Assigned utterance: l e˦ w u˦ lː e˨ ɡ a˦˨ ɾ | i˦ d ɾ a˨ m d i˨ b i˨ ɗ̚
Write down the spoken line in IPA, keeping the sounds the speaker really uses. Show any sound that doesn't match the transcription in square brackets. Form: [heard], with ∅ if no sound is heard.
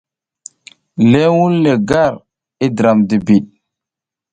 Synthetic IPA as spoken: l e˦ w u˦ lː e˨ ɡ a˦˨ ɾ | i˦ d ɾ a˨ m d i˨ b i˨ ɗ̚